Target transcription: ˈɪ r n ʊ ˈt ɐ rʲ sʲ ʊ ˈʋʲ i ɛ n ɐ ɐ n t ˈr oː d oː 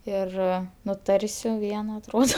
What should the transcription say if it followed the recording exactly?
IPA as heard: ˈɪ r n ʊ ˈt ɐ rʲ sʲ ʊ ˈʋʲ i ɛ n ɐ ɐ t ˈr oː d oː